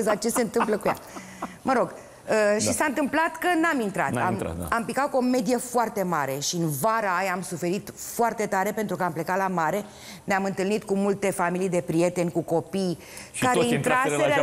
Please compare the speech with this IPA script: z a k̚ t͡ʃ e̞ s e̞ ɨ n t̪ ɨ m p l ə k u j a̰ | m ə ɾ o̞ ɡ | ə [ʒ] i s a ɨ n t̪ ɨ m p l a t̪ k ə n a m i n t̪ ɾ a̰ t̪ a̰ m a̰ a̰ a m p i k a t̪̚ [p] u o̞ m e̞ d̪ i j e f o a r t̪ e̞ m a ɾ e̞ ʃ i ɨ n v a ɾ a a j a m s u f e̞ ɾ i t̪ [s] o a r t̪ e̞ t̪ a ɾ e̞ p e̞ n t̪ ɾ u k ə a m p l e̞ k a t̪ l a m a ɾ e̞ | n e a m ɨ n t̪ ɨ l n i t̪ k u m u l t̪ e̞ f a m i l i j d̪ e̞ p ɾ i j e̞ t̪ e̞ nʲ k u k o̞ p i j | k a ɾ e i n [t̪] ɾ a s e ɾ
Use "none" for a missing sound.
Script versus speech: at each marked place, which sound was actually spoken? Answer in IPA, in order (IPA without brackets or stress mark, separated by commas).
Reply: ʃ, k, f, t̪